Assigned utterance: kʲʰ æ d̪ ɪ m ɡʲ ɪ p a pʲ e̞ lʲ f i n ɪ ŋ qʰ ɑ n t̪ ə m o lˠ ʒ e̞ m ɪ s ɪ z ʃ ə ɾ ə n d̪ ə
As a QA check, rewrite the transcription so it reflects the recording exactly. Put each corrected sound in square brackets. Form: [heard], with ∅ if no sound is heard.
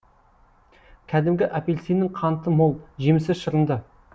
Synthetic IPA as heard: kʲʰ æ d̪ ɪ m ɡʲ ɪ [ʔ] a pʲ e̞ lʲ [s] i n ɪ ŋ qʰ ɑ n t̪ ə m o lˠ ʒ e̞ m ɪ s ɪ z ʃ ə ɾ ə n d̪ ə